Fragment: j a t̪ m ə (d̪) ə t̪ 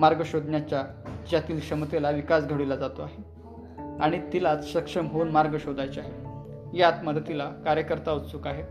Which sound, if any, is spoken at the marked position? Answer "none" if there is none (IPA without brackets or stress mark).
d̪